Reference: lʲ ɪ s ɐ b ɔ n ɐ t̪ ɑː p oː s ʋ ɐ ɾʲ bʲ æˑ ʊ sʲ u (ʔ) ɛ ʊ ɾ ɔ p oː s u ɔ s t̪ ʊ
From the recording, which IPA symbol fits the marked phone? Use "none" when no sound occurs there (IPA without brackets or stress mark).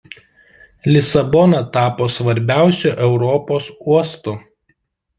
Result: ʔ